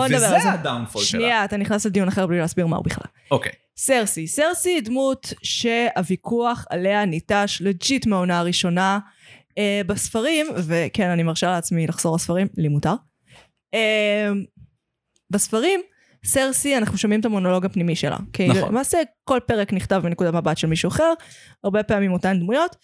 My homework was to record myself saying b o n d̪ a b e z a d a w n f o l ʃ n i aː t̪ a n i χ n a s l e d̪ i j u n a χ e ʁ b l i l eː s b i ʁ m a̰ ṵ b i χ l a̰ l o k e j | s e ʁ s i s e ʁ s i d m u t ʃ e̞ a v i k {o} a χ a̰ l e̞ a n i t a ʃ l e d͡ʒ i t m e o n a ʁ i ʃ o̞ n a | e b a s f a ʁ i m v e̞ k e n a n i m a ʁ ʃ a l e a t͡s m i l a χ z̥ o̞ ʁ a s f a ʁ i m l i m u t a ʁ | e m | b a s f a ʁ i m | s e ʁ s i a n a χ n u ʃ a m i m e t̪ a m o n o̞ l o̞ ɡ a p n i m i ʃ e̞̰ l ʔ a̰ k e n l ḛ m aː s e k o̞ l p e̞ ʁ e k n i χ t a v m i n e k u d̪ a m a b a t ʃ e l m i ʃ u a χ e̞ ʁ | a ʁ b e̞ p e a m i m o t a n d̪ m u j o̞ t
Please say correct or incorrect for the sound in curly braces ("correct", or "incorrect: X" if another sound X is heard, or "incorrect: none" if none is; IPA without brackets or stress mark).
incorrect: u